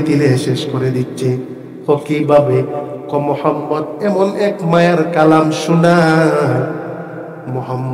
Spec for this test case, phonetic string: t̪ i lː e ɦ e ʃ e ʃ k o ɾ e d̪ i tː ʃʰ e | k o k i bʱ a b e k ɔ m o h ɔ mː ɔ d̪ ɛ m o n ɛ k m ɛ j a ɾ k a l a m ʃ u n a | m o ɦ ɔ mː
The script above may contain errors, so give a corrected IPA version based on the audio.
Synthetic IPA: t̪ i l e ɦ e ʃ e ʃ k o ɾ e d̪ i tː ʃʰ e | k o k i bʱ a b e k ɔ m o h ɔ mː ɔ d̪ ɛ m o n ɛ k m a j a ɾ k a l a m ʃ u n a | m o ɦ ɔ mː